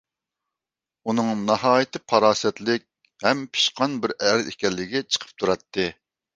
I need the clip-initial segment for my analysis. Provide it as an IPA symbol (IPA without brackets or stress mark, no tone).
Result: u